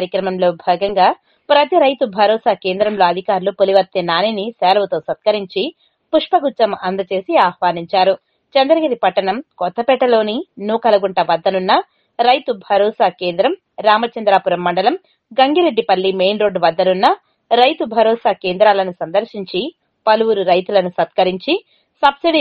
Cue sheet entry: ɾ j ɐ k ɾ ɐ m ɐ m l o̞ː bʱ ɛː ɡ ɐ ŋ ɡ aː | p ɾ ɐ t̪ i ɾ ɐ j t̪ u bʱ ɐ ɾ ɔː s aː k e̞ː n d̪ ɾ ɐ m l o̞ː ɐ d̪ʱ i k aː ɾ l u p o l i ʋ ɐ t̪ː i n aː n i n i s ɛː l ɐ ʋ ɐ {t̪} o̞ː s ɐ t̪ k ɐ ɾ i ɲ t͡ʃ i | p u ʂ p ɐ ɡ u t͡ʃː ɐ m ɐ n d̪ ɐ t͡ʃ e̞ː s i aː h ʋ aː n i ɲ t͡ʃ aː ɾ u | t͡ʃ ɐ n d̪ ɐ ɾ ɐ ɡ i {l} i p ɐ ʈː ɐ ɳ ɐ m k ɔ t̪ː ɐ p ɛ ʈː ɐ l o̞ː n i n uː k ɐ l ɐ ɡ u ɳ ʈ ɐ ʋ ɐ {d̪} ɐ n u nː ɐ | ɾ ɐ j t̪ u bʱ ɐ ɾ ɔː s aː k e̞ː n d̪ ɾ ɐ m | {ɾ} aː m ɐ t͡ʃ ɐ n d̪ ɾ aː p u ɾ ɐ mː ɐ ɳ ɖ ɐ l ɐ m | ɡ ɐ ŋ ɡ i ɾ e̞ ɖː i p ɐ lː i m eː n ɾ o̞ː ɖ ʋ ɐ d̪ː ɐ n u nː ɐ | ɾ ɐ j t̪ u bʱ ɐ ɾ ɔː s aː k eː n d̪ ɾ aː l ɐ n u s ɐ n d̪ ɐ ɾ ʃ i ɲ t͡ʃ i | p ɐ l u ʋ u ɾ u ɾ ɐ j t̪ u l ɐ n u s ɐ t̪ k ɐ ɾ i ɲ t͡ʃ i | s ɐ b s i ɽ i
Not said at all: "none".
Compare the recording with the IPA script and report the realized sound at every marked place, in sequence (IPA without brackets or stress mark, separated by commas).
t̪, ɾ, d̪ː, ɾ